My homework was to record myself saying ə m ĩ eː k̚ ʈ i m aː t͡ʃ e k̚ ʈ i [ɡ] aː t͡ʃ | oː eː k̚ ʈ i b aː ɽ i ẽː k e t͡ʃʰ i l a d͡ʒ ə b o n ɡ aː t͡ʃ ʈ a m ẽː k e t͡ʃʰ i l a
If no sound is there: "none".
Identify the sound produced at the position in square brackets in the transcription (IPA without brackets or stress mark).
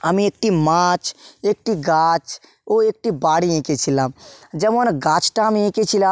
ɡ